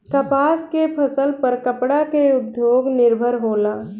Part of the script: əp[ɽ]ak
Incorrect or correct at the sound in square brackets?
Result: correct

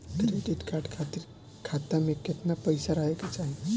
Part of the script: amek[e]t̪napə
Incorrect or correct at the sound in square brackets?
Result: correct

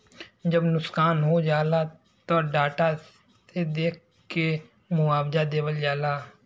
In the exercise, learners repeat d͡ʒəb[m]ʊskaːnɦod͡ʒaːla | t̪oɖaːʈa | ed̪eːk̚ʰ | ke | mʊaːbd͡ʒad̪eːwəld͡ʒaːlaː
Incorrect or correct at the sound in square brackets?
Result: incorrect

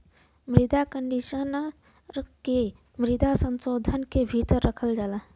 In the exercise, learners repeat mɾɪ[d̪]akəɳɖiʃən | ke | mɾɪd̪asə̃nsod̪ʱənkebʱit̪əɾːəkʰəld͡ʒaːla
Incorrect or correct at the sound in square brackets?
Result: correct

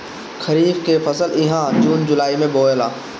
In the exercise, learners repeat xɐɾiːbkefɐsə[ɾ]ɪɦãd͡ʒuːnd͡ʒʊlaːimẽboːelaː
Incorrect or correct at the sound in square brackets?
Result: incorrect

